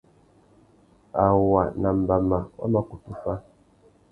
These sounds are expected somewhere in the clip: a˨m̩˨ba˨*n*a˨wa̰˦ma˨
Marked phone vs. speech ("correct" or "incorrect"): incorrect